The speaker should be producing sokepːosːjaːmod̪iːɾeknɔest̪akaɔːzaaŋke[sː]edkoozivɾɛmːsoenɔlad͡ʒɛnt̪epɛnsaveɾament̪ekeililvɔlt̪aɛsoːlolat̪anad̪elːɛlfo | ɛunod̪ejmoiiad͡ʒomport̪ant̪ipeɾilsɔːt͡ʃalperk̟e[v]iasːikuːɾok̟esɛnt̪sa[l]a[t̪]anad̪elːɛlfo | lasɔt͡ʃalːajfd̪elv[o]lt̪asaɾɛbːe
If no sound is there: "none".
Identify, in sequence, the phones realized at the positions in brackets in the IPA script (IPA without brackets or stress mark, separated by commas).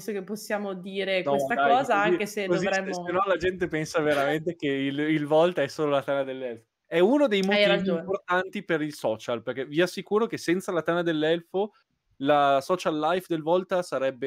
s, v, l, t̪, ɔ